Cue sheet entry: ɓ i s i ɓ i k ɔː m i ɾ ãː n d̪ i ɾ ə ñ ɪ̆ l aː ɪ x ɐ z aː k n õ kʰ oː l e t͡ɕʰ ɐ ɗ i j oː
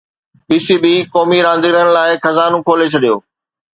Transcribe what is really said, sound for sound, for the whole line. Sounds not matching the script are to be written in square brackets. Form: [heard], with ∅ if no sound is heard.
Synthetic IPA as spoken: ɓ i s i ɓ i k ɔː m i ɾ ãː n d̪ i ɾ ə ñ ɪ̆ l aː ɪ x ɐ z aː [∅] n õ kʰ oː l e t͡ɕʰ ɐ ɗ i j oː